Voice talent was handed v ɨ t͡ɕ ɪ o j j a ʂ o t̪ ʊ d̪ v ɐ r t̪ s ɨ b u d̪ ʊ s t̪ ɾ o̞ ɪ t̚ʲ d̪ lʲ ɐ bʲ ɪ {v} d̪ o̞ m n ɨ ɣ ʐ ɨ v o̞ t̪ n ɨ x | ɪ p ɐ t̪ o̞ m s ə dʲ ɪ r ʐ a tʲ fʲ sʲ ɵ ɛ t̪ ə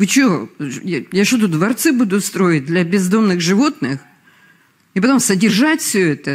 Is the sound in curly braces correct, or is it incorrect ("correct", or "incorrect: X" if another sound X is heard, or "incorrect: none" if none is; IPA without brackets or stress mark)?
incorrect: z